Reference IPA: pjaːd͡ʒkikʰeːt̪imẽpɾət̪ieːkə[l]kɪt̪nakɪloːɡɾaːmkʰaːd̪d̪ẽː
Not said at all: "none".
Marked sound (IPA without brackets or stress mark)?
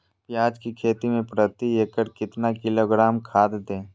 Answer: ɾ